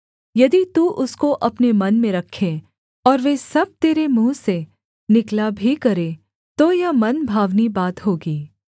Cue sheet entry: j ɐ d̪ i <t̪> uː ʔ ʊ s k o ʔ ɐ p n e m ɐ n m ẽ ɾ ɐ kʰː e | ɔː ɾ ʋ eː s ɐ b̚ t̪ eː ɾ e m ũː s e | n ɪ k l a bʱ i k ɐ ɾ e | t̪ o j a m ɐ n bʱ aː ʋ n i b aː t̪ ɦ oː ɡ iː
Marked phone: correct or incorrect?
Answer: correct